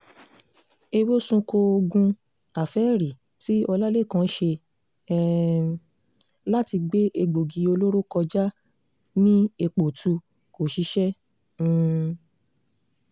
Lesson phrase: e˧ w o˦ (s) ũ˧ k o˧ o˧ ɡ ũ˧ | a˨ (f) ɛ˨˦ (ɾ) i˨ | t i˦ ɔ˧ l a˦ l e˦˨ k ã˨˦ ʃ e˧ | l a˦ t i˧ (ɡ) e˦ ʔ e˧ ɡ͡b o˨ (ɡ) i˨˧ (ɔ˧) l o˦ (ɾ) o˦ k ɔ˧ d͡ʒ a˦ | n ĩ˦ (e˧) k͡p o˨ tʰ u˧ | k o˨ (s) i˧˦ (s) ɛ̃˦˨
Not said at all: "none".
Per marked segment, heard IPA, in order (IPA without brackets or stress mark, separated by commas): s, f, ɾ, ɡ͡b, ɡ, o˧, ɾ, e˧, ʃ, ʃ